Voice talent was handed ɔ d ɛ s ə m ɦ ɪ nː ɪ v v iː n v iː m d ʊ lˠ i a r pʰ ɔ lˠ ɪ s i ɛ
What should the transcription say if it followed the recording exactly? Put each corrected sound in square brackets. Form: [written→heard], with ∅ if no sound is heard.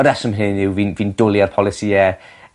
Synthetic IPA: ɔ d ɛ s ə m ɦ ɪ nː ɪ [v→w] v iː n v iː [m→n] d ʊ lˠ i a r pʰ ɔ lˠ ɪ s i ɛ